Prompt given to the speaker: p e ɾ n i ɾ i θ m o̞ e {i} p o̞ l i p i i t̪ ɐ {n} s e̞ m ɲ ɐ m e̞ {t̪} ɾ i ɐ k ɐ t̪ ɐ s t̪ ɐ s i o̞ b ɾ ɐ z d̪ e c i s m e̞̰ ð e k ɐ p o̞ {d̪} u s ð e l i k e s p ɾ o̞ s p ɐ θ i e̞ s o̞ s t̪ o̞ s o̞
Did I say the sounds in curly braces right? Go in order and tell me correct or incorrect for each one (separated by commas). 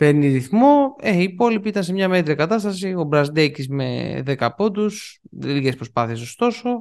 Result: incorrect, correct, correct, correct